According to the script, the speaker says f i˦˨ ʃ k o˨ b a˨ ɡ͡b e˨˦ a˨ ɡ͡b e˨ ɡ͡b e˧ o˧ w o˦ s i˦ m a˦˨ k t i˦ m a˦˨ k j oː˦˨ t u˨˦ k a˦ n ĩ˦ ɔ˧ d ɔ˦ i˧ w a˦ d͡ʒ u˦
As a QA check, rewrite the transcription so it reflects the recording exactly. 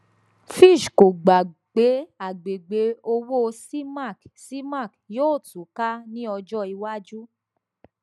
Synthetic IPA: f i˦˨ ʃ k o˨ ɡ͡b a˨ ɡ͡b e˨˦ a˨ ɡ͡b e˨ ɡ͡b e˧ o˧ w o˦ s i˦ m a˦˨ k s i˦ m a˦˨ k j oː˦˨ t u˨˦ k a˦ n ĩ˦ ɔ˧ d͡ʒ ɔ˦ i˧ w a˦ d͡ʒ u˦

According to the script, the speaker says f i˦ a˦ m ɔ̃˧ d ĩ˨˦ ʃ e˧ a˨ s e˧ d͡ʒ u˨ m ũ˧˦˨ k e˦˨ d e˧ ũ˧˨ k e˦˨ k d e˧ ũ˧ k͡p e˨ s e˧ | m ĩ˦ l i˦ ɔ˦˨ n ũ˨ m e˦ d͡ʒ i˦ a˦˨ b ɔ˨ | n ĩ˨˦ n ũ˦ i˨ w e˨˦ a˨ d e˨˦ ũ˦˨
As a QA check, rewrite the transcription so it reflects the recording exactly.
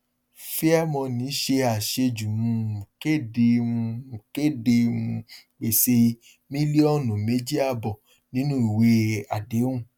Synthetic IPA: f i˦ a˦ m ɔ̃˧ n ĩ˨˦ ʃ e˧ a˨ ʃ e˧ d͡ʒ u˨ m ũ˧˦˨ k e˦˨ d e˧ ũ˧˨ k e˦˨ d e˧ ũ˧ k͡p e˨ s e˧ | m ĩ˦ l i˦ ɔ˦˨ n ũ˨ m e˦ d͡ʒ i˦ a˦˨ b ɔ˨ | n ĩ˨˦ n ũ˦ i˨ w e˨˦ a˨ d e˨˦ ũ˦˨

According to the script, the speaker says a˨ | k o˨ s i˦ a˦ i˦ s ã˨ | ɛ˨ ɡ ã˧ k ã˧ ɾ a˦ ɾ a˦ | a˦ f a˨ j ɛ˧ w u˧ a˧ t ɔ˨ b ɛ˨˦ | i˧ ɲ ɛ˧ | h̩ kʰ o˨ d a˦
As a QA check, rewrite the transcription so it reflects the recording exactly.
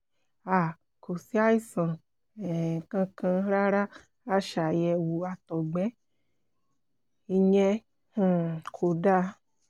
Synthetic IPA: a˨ | k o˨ s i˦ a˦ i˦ s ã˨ | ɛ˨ k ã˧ k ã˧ ɾ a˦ ɾ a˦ | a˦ ʃ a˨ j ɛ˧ w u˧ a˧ t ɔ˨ ɡ͡b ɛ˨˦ | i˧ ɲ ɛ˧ | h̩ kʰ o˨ d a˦

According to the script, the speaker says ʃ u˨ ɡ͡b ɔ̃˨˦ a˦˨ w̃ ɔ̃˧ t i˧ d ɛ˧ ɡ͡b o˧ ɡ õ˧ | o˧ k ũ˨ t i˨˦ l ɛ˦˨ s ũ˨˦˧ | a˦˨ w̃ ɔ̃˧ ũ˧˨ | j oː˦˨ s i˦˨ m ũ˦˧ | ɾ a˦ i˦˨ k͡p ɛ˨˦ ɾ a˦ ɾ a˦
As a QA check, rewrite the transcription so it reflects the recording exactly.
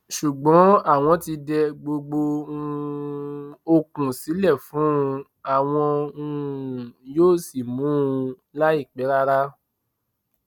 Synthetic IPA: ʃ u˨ ɡ͡b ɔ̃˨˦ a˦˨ w̃ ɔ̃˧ t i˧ d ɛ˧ ɡ͡b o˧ ɡ͡b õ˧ | o˧ k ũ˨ s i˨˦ l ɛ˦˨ f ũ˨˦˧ | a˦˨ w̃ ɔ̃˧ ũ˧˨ | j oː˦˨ s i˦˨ m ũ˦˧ | l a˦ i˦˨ k͡p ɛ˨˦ ɾ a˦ ɾ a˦

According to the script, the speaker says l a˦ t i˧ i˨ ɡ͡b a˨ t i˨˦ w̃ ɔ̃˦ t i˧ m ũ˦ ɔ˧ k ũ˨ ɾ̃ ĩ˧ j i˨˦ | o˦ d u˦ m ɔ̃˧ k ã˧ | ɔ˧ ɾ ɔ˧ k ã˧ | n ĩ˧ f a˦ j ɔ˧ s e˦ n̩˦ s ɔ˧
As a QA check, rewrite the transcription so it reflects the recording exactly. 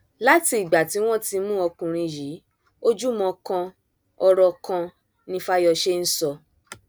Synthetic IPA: l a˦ t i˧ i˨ ɡ͡b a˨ t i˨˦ w̃ ɔ̃˦ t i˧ m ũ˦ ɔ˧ k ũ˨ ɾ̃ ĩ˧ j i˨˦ | o˦ d͡ʒ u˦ m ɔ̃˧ k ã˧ | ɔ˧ ɾ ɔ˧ k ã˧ | n ĩ˧ f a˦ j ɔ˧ ʃ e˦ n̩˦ s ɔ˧

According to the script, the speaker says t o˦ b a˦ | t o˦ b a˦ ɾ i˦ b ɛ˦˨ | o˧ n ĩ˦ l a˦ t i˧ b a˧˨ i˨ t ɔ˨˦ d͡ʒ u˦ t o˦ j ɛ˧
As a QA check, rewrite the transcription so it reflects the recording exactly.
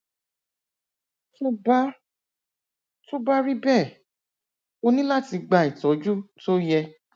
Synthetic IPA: t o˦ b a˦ | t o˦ b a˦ ɾ i˦ b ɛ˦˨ | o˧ n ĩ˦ l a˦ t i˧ ɡ͡b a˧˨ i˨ t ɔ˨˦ d͡ʒ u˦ t o˦ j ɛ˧

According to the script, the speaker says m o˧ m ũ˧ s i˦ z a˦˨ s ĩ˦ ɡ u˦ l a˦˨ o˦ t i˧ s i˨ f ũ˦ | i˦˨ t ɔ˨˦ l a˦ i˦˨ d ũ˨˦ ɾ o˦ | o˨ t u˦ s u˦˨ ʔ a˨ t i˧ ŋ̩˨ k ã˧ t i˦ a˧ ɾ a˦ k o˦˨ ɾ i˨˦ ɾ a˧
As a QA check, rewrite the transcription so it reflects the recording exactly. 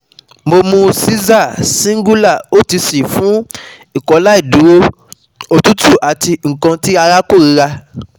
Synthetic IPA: m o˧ m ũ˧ s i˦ z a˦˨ s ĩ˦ ɡ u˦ l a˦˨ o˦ t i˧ s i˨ f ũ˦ | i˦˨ k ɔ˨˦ l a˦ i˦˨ d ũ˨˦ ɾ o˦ | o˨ t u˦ t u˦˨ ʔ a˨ t i˧ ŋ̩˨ k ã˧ t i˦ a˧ ɾ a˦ k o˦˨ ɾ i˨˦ ɾ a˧

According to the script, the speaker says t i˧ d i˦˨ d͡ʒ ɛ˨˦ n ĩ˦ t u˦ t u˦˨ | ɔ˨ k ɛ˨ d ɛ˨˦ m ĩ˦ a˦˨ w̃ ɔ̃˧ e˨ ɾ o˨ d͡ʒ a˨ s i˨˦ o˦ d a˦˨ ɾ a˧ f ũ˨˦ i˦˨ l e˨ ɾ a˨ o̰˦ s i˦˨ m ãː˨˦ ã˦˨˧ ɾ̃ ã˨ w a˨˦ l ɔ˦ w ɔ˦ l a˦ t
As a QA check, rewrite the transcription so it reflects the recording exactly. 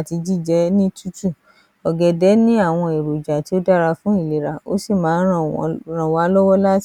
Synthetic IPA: t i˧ d͡ʒ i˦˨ d͡ʒ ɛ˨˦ n ĩ˦ t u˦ t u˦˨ | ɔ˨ ɡ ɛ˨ d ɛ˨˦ n ĩ˦ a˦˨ w̃ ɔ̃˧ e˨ ɾ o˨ d͡ʒ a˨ t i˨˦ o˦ d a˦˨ ɾ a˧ f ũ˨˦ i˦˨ l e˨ ɾ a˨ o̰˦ s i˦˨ m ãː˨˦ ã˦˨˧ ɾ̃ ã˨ w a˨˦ l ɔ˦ w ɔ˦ l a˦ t

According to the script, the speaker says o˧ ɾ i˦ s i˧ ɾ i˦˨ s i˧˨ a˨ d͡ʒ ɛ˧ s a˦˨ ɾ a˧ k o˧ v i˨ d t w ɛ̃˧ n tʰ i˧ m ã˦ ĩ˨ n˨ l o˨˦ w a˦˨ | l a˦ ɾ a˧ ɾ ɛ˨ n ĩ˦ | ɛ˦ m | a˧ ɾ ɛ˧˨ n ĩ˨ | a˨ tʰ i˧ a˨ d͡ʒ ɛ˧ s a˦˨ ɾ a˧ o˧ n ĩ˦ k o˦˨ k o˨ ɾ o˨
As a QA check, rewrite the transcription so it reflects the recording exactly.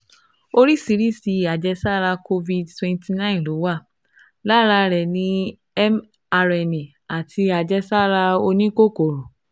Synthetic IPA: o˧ ɾ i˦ s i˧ ɾ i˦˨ s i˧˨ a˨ d͡ʒ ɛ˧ s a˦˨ ɾ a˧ k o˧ v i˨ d t w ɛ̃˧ n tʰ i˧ n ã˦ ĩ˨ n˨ l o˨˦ w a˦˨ | l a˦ ɾ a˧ ɾ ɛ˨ n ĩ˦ | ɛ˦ m | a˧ ɾ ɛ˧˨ n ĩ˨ | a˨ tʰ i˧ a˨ d͡ʒ ɛ˧ s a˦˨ ɾ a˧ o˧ n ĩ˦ k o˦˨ k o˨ ɾ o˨

